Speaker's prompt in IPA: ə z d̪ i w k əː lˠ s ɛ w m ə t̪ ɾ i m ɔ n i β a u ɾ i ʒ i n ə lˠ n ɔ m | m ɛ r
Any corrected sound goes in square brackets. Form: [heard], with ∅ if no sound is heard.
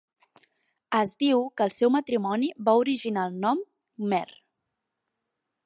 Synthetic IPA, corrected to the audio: ə z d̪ i w k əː lˠ s ɛ w m ə t̪ ɾ i m ɔ n i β a u ɾ i ʒ i n [a] lˠ n ɔ m | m ɛ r